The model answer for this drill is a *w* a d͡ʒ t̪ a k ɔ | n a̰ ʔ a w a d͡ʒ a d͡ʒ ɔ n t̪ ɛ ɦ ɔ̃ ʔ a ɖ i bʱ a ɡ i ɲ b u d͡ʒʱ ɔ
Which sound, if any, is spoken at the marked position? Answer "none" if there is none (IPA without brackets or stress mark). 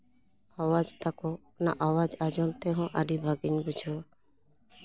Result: w